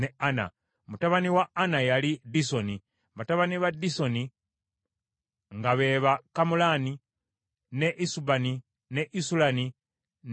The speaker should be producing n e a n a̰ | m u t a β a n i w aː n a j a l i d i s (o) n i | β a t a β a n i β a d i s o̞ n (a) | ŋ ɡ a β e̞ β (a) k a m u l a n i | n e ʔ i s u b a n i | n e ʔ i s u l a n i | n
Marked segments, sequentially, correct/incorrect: correct, incorrect, correct

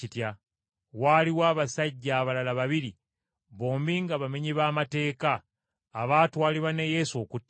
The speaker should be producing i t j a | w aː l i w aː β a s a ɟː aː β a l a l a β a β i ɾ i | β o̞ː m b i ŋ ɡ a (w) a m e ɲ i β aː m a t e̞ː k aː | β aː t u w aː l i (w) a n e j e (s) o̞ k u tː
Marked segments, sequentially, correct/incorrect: incorrect, incorrect, correct

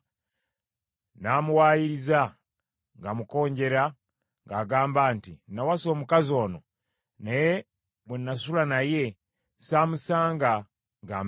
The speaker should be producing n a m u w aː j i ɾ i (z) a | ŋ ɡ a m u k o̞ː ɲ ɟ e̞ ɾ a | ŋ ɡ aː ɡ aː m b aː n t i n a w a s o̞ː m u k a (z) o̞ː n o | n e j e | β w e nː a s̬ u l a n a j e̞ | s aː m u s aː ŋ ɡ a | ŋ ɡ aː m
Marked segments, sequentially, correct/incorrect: correct, correct

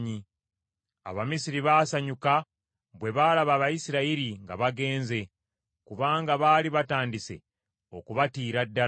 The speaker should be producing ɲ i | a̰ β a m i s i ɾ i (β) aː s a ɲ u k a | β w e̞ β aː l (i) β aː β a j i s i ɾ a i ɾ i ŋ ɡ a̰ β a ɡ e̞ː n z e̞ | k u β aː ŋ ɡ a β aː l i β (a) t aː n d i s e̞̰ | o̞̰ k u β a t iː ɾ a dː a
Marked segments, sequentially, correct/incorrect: correct, incorrect, correct

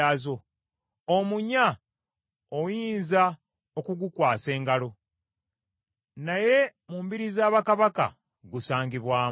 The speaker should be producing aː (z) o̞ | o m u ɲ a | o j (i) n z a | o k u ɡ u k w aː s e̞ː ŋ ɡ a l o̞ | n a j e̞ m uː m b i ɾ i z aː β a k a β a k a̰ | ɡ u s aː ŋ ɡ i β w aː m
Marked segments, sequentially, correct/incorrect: correct, incorrect

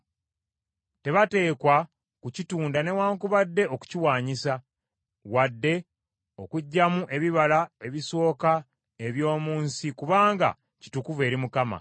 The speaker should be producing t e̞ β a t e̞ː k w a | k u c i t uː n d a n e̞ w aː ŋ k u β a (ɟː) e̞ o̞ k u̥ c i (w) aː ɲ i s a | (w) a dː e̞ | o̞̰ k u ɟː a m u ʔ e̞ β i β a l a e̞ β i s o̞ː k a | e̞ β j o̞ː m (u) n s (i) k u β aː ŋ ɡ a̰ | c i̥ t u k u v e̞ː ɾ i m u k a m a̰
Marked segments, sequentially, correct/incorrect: incorrect, correct, correct, incorrect, correct

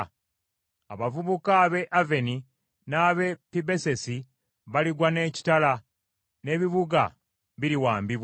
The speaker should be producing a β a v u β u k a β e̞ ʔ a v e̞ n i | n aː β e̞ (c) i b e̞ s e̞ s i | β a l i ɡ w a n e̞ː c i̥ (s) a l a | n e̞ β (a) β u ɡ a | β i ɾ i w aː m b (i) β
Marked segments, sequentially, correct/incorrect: incorrect, incorrect, incorrect, correct

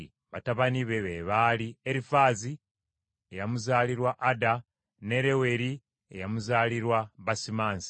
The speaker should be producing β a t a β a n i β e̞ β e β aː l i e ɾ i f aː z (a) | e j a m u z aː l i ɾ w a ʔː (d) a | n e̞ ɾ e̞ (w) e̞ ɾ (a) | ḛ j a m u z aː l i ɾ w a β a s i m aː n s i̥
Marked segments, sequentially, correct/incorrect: incorrect, correct, correct, incorrect

